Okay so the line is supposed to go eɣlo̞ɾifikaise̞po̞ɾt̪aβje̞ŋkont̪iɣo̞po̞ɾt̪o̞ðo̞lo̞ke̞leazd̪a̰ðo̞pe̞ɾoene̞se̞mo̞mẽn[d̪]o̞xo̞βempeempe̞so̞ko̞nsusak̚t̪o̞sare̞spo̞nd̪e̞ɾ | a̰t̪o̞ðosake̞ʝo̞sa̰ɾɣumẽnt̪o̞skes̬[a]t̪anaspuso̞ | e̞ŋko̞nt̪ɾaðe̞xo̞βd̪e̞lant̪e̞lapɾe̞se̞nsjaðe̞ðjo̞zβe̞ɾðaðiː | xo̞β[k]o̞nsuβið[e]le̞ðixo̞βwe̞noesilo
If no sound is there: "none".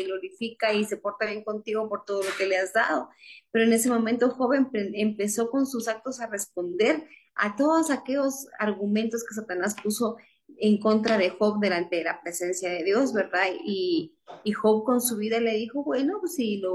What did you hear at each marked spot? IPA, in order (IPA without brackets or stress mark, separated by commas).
t̪, a, k, a